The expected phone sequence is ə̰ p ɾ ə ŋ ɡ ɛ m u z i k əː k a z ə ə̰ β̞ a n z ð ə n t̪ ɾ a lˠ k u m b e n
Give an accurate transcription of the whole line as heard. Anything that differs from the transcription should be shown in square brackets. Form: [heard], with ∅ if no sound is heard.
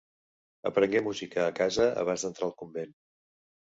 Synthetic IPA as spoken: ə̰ p ɾ ə ŋ ɡ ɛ m u z i k əː k a z ə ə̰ β̞ a n z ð ə n t̪ ɾ a lˠ k u m b e n